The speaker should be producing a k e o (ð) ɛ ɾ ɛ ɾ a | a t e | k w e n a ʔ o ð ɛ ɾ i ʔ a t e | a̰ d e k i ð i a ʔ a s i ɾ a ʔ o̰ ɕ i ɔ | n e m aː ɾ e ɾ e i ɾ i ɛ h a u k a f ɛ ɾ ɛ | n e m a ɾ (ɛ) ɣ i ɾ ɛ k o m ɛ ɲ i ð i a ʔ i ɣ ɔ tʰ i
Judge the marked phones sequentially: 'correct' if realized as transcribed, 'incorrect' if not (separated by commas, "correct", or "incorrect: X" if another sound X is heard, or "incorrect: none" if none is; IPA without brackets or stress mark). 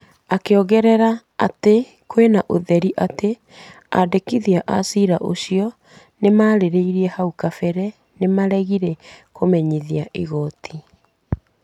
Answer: incorrect: ɣ, correct